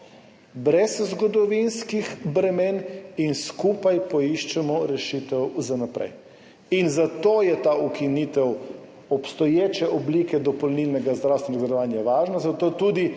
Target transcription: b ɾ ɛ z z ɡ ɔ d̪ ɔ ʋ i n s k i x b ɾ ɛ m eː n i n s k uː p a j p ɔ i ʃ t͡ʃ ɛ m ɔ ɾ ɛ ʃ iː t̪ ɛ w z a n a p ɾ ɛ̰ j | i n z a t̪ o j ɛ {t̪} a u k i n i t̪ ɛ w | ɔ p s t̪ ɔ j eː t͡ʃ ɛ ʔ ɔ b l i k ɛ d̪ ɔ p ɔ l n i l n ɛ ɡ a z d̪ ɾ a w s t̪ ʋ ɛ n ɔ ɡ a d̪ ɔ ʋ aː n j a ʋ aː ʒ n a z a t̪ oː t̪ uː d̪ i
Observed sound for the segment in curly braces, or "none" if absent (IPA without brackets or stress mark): t̪